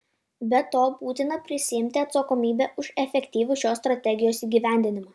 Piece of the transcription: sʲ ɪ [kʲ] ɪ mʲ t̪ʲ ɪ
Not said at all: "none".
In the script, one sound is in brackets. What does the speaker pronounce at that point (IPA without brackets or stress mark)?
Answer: none